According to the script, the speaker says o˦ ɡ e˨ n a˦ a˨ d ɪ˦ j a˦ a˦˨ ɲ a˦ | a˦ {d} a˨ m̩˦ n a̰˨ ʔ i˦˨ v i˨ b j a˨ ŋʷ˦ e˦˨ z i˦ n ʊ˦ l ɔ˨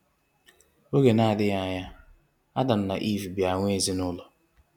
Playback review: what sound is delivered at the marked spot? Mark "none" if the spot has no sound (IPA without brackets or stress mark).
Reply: d